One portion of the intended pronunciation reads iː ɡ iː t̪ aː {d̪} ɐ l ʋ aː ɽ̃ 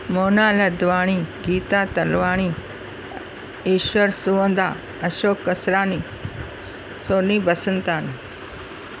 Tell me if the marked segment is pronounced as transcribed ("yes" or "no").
no